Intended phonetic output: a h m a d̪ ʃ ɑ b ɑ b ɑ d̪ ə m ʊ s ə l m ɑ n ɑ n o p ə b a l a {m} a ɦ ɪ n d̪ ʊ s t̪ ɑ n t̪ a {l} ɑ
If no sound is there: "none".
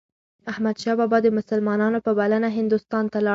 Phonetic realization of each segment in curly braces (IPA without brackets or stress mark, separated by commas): n, l